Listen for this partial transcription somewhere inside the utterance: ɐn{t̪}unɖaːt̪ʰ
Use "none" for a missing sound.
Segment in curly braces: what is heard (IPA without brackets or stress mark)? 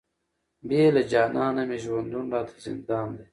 d̪